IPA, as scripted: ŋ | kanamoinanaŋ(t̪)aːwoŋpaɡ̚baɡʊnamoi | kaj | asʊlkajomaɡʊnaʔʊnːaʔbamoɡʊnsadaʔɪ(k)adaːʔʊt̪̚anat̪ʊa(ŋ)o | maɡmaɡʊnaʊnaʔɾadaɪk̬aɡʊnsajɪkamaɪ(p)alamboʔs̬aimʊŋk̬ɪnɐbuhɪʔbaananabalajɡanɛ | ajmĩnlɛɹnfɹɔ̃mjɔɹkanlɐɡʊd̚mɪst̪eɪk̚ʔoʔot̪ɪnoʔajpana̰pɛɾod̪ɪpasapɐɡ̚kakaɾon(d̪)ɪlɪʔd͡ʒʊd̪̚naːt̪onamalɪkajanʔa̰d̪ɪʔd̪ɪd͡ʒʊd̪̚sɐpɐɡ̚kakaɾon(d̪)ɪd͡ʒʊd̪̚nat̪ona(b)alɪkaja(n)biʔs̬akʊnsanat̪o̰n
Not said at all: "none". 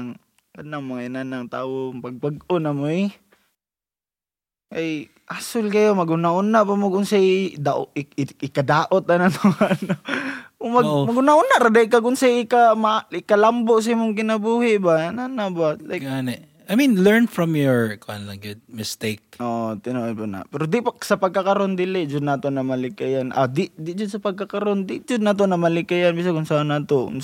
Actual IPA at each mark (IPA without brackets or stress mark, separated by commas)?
t̪, k, n, k, d̪, d̪, m, n